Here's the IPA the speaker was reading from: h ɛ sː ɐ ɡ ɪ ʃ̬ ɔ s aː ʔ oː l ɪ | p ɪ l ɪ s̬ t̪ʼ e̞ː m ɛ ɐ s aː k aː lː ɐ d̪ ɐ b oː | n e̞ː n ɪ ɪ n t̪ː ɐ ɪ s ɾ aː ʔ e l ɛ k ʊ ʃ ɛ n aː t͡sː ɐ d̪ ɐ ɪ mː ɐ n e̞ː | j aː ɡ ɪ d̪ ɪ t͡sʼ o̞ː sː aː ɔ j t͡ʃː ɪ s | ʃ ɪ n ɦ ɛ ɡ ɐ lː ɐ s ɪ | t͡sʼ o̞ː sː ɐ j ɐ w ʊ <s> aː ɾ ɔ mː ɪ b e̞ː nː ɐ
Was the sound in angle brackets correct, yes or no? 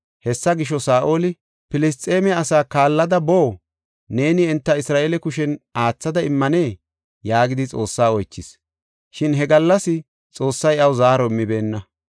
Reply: no